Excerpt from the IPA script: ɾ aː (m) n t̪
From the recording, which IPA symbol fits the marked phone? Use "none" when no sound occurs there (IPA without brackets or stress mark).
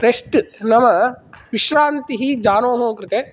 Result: none